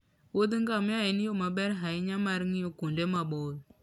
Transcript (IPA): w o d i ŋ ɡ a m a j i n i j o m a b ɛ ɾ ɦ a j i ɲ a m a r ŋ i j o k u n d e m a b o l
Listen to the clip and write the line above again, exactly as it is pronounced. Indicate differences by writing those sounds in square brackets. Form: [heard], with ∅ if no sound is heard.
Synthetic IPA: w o d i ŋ ɡ a m a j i n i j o m a b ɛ ɾ ɦ a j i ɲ a m a [ɾ] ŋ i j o k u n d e m a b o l